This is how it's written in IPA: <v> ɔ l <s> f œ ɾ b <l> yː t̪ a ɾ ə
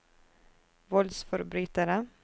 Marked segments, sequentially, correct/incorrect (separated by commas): correct, correct, incorrect